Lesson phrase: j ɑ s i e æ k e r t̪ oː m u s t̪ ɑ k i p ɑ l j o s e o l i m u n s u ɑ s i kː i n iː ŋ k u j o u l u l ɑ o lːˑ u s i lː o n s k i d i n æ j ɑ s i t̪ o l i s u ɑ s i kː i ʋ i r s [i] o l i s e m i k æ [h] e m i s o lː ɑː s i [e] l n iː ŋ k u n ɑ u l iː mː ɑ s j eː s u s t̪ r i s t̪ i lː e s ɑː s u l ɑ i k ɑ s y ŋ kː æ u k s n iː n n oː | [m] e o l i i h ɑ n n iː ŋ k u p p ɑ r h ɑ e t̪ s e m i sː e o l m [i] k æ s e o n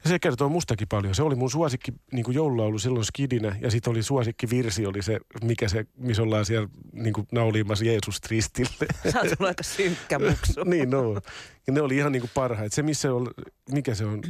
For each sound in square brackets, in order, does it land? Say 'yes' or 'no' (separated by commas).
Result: yes, no, no, no, yes